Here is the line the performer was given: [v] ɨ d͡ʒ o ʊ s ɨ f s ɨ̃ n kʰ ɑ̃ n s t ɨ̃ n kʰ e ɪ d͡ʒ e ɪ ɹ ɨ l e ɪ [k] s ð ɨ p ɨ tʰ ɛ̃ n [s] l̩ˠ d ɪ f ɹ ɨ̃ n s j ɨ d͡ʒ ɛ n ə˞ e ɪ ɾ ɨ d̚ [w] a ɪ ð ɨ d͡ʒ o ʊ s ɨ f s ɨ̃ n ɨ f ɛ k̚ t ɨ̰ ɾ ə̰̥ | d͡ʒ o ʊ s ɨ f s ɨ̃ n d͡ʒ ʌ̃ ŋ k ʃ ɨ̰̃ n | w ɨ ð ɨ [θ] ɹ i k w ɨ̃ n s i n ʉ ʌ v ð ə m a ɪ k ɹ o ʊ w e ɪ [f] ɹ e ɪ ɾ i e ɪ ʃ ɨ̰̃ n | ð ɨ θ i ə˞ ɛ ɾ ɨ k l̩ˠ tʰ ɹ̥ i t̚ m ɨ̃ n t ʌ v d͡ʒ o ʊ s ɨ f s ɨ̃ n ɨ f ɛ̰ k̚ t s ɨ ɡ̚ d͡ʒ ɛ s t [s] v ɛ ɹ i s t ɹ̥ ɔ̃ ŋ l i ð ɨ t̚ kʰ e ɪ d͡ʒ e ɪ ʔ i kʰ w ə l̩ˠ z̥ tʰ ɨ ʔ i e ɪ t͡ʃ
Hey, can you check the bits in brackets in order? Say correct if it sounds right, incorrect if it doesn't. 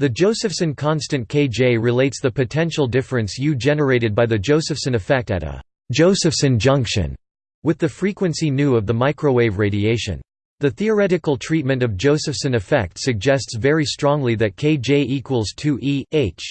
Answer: incorrect: ð, incorrect: t, incorrect: ʃ, incorrect: b, incorrect: f, incorrect: v, correct

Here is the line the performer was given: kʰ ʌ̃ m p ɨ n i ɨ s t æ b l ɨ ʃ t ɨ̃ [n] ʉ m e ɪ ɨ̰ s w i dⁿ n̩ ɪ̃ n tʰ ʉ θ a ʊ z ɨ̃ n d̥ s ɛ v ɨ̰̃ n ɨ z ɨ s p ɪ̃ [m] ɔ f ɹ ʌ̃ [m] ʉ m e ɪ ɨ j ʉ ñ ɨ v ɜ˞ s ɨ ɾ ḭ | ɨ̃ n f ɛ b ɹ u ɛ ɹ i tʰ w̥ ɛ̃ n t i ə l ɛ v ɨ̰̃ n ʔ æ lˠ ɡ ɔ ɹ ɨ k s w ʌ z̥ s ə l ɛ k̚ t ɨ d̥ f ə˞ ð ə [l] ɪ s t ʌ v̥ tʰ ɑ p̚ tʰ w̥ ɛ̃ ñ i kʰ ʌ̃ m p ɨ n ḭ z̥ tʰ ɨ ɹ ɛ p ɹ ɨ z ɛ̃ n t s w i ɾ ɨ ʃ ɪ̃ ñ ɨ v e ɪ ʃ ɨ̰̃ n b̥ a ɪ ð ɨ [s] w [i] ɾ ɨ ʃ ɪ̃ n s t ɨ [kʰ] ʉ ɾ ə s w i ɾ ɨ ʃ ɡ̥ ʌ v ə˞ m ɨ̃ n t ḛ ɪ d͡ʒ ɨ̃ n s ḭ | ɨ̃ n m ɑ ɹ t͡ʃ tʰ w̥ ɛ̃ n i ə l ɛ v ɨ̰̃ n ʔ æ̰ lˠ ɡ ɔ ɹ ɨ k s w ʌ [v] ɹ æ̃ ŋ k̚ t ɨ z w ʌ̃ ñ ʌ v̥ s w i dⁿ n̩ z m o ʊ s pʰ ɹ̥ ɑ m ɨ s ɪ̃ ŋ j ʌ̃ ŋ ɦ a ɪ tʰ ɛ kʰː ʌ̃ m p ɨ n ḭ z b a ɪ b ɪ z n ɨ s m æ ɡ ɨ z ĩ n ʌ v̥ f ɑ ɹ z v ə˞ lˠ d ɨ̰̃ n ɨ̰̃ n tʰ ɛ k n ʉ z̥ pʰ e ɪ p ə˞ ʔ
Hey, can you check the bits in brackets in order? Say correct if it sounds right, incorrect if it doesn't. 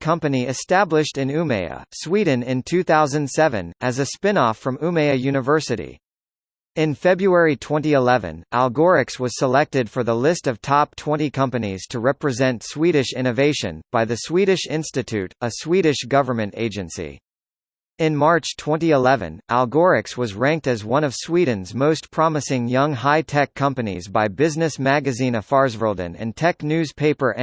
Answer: correct, incorrect: n, correct, correct, correct, correct, incorrect: tʰ, incorrect: z

